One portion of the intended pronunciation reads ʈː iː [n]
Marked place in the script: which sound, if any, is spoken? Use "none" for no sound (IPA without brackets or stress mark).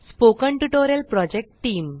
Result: m